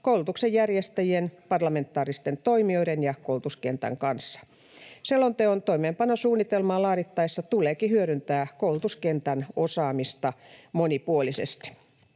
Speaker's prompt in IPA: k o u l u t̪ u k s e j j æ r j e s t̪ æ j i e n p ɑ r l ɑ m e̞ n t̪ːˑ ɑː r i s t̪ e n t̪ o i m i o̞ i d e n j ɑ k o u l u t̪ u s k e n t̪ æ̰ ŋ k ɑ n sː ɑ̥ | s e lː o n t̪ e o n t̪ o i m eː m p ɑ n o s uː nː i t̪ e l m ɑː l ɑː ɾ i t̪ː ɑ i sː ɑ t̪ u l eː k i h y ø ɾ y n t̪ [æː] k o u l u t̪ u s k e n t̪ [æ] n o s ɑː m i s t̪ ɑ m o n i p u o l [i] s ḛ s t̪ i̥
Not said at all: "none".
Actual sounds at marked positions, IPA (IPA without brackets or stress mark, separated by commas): æː, æ, i